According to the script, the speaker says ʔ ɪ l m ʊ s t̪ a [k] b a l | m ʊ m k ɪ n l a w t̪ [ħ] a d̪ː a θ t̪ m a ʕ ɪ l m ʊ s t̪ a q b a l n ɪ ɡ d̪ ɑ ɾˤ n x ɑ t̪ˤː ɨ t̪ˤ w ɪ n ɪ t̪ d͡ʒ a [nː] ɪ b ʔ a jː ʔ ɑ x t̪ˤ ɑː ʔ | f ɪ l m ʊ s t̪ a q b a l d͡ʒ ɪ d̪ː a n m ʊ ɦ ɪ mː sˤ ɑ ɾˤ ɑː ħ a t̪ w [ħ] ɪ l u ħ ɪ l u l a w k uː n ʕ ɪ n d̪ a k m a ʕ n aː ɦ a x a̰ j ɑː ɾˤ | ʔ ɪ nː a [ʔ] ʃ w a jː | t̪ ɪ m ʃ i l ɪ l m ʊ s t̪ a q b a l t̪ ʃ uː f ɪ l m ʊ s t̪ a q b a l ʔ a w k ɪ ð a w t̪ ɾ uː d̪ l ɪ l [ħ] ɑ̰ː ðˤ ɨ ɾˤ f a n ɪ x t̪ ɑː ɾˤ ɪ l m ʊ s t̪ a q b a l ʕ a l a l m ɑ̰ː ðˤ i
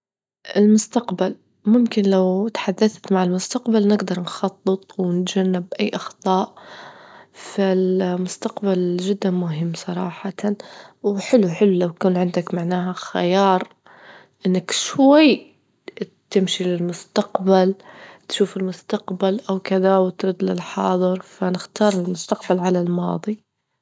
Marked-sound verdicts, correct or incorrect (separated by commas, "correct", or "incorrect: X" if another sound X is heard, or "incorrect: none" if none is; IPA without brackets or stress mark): incorrect: q, correct, correct, correct, incorrect: k, correct